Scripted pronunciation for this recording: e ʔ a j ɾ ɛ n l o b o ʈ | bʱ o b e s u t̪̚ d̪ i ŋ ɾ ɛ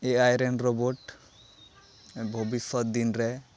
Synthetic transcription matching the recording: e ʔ a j ɾ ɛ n ɾ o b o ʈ | bʱ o b i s ɔ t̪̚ d̪ i n ɾ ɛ